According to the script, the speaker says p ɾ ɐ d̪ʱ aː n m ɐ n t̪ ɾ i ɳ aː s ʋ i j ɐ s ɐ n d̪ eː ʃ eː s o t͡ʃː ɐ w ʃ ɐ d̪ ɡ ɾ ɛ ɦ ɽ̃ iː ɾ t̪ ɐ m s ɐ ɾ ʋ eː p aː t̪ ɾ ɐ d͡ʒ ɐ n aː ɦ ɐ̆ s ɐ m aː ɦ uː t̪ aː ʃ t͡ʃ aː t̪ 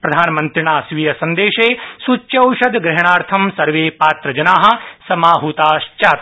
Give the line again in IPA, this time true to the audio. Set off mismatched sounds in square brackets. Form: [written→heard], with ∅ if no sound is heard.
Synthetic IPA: p ɾ ɐ d̪ʱ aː n m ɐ n t̪ ɾ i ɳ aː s ʋ i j ɐ s ɐ n d̪ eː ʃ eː s [o→u] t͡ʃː ɐ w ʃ ɐ d̪ ɡ ɾ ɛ ɦ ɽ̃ [iː→aː] ɾ [t̪→t̪ʰ] ɐ m s ɐ ɾ ʋ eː p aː t̪ ɾ ɐ d͡ʒ ɐ n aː ɦ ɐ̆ s ɐ m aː ɦ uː t̪ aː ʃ t͡ʃ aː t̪

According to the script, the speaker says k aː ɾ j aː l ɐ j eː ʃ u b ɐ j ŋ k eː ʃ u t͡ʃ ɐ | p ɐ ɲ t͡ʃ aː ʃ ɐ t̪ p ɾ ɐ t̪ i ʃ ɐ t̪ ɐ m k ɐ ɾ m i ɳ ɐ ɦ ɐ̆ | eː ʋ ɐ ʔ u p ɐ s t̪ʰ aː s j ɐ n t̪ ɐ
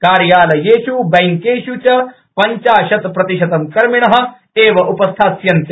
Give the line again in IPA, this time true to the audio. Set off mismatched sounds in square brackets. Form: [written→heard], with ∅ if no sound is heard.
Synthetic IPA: k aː ɾ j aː l ɐ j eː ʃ u b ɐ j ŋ k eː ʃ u t͡ʃ ɐ | p ɐ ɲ t͡ʃ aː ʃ ɐ t̪ p ɾ ɐ t̪ i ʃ ɐ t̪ ɐ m k ɐ ɾ m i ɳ ɐ ɦ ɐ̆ | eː ʋ ɐ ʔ u p ɐ s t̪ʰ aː s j ɐ n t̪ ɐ

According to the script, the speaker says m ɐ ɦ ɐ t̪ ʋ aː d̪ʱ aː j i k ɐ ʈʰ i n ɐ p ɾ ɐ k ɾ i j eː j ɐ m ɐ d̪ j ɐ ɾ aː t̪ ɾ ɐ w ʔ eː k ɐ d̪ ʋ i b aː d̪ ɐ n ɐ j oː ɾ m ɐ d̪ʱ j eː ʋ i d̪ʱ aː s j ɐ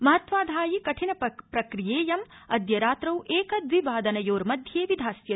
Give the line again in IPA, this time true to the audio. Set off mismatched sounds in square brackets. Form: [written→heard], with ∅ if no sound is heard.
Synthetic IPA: m ɐ ɦ ɐ t̪ ʋ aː d̪ʱ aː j i k ɐ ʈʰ i n ɐ p ɾ ɐ k ɾ i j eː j ɐ m ɐ d̪ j ɐ ɾ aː t̪ ɾ ɐ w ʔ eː k ɐ d̪ ʋ i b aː d̪ ɐ n ɐ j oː ɾ m ɐ d̪ʱ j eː ʋ i d̪ʱ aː s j ɐ

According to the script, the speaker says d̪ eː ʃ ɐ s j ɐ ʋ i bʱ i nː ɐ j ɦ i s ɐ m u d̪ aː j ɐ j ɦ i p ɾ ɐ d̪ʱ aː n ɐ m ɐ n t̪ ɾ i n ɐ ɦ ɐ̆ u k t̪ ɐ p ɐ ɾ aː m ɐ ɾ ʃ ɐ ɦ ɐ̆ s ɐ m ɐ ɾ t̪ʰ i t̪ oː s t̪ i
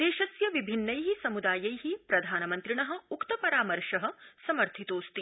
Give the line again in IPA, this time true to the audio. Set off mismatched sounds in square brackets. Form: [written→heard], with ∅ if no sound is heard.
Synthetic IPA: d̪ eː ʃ ɐ s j ɐ ʋ i bʱ i nː ɐ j ɦ i s ɐ m u d̪ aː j ɐ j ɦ i p ɾ ɐ d̪ʱ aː n ɐ m ɐ n t̪ ɾ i [n→ɳ] ɐ ɦ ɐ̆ u k t̪ ɐ p ɐ ɾ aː m ɐ ɾ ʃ ɐ ɦ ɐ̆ s ɐ m ɐ ɾ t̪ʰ i t̪ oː s t̪ i

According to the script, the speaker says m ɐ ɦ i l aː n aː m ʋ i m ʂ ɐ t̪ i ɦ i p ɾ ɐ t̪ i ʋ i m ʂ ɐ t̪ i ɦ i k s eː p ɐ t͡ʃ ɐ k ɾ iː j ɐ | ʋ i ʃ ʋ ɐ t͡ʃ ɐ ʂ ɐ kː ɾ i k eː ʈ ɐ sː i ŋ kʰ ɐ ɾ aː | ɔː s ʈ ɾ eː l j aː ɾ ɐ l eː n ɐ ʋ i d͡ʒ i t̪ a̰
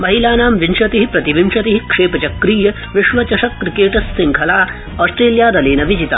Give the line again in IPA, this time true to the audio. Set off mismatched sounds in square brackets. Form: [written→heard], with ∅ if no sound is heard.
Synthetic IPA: m ɐ ɦ i l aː n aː m ʋ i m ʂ ɐ t̪ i ɦ i p ɾ ɐ t̪ i ʋ i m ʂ ɐ t̪ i ɦ i k [s→ʂ] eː p ɐ t͡ʃ ɐ k ɾ iː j ɐ | ʋ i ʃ ʋ ɐ t͡ʃ ɐ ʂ ɐ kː ɾ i k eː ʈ ɐ sː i ŋ kʰ ɐ [ɾ→l] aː | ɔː s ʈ ɾ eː l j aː ɾ ɐ l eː n ɐ ʋ i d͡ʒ i t̪ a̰

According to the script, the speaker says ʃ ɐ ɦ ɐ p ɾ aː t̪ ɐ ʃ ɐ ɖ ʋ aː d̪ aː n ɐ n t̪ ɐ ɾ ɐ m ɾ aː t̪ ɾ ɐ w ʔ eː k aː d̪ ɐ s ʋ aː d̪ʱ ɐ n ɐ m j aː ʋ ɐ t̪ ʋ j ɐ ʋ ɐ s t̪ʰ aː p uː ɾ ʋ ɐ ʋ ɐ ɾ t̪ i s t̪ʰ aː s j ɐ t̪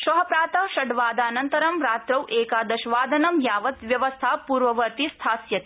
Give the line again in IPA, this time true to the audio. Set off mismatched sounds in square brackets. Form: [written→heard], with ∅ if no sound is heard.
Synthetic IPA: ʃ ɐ ɦ ɐ p ɾ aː t̪ ɐ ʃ ɐ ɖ ʋ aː d̪ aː n ɐ n t̪ ɐ ɾ ɐ m ɾ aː t̪ ɾ ɐ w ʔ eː k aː d̪ ɐ [s→ʃ] ʋ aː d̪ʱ ɐ n ɐ m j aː ʋ ɐ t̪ ʋ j ɐ ʋ ɐ s t̪ʰ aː p uː ɾ ʋ ɐ ʋ ɐ ɾ t̪ i s t̪ʰ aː s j ɐ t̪

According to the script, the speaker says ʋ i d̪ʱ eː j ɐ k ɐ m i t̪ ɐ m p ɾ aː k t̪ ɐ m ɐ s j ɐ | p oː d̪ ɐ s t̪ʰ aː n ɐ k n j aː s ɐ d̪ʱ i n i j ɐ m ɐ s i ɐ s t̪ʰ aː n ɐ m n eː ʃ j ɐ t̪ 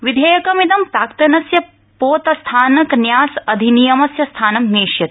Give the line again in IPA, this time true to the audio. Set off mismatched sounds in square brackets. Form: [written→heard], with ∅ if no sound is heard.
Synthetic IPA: ʋ i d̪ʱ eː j ɐ k ɐ m i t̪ ɐ m p ɾ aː k t̪ ɐ [m→n] ɐ s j ɐ | p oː [d̪→t̪] ɐ s t̪ʰ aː n ɐ k n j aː s ɐ d̪ʱ i n i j ɐ m ɐ s [i→j] ɐ s t̪ʰ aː n ɐ m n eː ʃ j ɐ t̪

